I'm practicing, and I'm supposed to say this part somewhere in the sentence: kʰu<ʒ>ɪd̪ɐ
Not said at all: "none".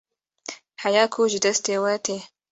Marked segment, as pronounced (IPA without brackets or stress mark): ʒ